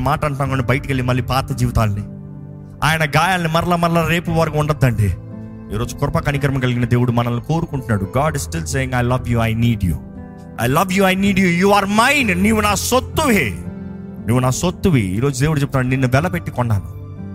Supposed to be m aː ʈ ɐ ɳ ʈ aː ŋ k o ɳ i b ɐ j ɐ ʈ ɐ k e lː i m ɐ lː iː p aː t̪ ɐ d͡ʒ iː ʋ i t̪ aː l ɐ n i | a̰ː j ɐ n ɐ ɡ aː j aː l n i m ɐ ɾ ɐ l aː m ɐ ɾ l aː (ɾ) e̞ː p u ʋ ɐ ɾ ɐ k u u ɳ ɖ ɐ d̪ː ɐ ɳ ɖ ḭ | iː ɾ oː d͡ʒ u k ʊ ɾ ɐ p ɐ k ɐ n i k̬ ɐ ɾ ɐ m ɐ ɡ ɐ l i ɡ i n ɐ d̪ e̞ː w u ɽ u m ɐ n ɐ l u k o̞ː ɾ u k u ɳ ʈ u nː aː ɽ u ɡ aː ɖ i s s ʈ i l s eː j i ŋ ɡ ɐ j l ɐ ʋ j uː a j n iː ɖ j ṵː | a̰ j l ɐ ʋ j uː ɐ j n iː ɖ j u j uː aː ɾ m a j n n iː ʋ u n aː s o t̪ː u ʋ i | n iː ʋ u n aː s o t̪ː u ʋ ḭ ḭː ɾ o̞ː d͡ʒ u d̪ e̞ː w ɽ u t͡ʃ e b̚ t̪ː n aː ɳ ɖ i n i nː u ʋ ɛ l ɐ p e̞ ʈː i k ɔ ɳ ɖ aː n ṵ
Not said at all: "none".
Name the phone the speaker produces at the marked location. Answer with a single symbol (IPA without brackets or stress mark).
ɾ